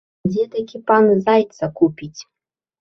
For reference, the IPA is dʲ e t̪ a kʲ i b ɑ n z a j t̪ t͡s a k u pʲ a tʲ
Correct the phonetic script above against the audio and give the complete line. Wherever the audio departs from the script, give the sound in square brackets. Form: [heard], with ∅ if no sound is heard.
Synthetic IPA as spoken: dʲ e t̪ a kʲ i [p] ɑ n z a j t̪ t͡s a k u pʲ [i] tʲ